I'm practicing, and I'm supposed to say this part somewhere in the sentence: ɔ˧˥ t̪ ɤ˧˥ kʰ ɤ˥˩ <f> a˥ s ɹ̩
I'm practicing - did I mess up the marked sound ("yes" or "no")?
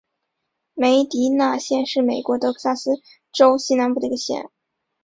yes